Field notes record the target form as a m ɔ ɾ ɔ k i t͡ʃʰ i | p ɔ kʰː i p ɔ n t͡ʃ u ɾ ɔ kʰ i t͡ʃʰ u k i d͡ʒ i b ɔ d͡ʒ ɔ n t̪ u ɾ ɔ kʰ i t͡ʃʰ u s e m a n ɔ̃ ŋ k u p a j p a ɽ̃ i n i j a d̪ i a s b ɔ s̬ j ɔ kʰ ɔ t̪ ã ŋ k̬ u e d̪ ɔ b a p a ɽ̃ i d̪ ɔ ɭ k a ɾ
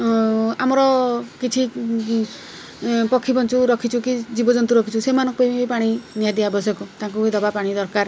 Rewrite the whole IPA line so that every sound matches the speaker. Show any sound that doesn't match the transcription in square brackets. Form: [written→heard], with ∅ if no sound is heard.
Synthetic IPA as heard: a m ɔ ɾ ɔ k i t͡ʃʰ i | p ɔ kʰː i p ɔ n t͡ʃ u ɾ ɔ kʰ i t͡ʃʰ u k i d͡ʒ i b ɔ d͡ʒ ɔ n t̪ u ɾ ɔ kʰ i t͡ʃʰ u s e m a n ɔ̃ ŋ k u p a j p a ɽ̃ i n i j a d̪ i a [s→∅] b ɔ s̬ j ɔ [kʰ→k] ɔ t̪ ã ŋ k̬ u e d̪ ɔ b a p a ɽ̃ i d̪ ɔ [ɭ→ɾ] k a ɾ